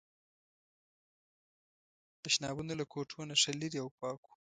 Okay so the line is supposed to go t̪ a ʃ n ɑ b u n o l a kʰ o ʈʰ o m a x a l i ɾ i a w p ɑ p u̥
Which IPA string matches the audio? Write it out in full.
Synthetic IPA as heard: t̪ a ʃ n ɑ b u n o l a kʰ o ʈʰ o n a ʂ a l i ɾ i a w p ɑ k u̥